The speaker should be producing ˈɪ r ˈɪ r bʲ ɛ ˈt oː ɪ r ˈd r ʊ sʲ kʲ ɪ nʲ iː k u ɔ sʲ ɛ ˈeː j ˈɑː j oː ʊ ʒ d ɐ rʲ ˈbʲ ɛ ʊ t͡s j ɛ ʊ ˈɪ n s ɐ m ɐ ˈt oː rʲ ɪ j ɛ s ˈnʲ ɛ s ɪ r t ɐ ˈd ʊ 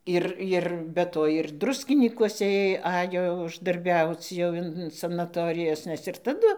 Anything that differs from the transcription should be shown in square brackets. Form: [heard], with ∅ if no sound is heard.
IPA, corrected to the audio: ˈɪ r ˈɪ r bʲ ɛ ˈt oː ɪ r ˈd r ʊ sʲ kʲ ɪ nʲ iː k u ɔ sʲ ɛ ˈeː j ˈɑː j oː ʊ ʒ d ɐ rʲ ˈbʲ ɛ ʊ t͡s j ɛ ʊ ˈɪ n s ɐ [n] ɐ ˈt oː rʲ ɪ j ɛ s ˈnʲ ɛ s ɪ r t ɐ ˈd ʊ